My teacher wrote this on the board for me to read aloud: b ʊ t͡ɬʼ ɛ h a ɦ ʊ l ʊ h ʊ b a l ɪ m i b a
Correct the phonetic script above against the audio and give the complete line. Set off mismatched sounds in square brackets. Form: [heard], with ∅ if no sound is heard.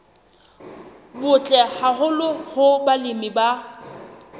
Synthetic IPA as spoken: b ʊ t͡ɬʼ ɛ h a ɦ ʊ l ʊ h ʊ b a l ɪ m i b a